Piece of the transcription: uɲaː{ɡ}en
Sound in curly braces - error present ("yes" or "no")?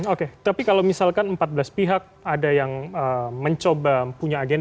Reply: no